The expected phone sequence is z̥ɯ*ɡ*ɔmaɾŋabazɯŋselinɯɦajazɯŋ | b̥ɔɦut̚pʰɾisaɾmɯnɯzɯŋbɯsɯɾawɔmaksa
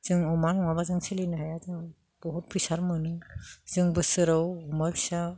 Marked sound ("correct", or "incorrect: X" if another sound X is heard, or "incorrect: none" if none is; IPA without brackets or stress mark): incorrect: ŋ